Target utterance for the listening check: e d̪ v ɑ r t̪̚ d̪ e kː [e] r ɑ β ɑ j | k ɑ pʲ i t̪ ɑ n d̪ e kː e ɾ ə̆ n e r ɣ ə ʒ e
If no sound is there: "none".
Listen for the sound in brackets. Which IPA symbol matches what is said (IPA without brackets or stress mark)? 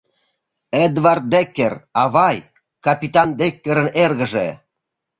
e